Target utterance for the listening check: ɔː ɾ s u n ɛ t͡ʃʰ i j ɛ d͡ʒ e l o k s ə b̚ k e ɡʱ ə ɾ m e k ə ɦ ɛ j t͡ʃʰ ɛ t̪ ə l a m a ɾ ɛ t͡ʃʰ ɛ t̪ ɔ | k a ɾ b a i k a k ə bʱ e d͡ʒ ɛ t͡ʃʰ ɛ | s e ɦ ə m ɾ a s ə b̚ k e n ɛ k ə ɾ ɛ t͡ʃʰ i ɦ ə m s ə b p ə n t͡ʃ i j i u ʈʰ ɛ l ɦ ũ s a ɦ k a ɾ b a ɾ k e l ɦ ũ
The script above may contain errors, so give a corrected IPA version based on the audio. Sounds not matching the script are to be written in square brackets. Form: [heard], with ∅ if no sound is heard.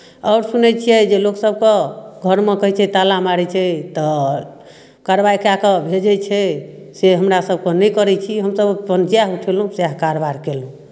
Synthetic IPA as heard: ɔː ɾ s u n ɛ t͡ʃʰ i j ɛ d͡ʒ e l o k s ə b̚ k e ɡʱ ə ɾ m e k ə ɦ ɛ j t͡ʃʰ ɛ t̪ [a] l a m a ɾ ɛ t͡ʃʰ ɛ t̪ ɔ | k a ɾ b a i k a k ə bʱ e d͡ʒ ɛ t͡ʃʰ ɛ | s e ɦ ə m ɾ a s ə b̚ k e n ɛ k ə ɾ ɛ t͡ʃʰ i ɦ ə m s ə b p ə n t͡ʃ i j [a] u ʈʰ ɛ l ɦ ũ s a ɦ k a ɾ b a ɾ k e l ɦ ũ